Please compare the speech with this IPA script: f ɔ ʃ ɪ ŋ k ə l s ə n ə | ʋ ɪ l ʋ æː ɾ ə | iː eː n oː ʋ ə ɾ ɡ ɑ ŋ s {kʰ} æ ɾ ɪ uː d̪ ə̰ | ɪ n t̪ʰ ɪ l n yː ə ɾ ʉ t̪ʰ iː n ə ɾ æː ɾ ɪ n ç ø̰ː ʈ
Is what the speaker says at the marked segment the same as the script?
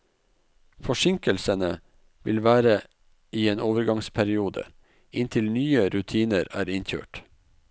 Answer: no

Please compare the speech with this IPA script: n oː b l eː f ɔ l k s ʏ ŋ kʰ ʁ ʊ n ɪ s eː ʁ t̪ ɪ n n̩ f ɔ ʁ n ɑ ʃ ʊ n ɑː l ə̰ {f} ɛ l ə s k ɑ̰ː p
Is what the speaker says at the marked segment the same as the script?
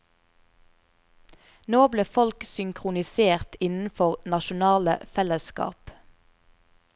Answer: yes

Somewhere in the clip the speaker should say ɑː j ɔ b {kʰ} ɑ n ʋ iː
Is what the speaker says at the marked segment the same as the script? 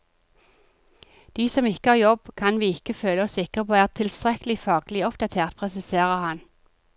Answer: yes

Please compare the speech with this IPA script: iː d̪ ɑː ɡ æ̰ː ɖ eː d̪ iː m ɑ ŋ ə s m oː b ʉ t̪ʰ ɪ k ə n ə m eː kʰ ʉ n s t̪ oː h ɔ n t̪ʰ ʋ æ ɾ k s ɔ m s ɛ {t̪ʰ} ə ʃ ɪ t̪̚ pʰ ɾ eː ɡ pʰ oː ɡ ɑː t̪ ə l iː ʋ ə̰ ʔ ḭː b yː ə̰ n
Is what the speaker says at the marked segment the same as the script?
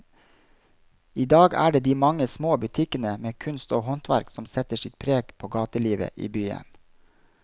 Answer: no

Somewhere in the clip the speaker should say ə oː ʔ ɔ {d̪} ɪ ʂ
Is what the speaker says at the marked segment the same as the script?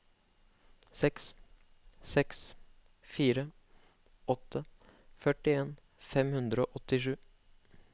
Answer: no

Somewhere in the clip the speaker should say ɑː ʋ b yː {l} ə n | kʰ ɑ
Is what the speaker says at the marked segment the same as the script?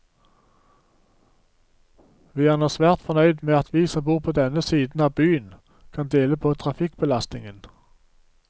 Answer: no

